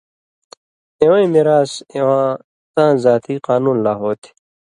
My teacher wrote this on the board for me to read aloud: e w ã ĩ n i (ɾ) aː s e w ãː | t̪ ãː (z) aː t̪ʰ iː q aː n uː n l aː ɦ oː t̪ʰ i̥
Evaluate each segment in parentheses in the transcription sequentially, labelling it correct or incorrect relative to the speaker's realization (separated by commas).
correct, correct